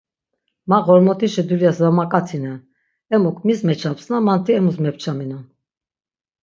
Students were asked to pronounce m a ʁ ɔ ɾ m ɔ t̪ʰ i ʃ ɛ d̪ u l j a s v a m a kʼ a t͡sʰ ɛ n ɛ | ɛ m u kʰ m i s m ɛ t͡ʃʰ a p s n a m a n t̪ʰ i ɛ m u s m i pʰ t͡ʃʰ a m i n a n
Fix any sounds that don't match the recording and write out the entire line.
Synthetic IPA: m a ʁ ɔ ɾ m ɔ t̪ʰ i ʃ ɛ d̪ u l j a s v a m a kʼ a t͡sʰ i n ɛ | ɛ m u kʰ m i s m ɛ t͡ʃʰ a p s n a m a n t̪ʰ i ɛ m u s m ɛ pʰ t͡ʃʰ a m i n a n